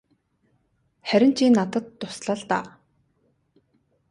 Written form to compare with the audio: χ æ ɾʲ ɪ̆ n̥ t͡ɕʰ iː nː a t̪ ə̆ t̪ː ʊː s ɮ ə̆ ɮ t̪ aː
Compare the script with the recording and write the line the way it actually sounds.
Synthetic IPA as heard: χ æ ɾʲ ɪ̆ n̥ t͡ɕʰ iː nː a t̪ ə̆ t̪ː ʊ s ɮ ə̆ ɮ t̪ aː